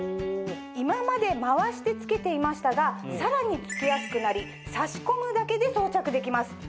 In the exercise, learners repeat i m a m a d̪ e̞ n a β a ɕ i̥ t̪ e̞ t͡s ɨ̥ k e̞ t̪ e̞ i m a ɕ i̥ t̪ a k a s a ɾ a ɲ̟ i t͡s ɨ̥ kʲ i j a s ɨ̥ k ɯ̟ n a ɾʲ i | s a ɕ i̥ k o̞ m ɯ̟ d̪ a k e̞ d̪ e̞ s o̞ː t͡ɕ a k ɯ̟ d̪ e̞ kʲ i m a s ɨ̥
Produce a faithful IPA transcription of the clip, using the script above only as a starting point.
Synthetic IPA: i m a m a d̪ e̞ m a β a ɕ i̥ t̪ e̞ t͡s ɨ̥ k e̞ t̪ e̞ i m a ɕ i̥ t̪ a ɡ a s a ɾ a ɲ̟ i t͡s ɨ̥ kʲ i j a s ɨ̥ k ɯ̟ n a ɾʲ i | s a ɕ i̥ k o̞ m ɯ̟ d̪ a k e̞ d̪ e̞ s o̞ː t͡ɕ a k ɯ̟ d̪ e̞ kʲ i m a s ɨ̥